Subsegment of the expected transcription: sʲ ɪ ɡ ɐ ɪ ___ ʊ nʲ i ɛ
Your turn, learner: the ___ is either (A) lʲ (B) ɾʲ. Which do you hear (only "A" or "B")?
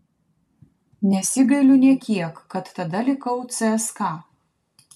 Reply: A